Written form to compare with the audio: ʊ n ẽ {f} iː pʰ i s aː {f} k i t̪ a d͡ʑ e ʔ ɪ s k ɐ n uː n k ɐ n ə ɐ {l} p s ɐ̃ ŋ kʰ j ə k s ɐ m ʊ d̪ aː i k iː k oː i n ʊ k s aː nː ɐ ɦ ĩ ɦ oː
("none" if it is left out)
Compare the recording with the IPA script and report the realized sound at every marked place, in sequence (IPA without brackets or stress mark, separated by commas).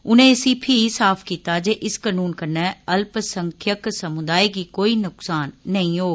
s, f, l